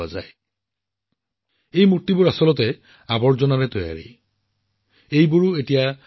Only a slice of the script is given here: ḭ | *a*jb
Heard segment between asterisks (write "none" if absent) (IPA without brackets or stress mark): e